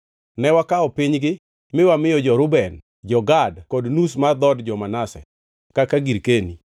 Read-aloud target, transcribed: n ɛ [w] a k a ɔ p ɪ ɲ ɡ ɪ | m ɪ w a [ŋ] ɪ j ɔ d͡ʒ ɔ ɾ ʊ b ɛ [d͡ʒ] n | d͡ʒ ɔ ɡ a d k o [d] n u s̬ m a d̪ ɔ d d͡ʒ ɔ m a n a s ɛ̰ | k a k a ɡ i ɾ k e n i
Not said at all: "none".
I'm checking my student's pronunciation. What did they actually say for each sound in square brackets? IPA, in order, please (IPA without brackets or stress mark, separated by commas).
w, m, none, d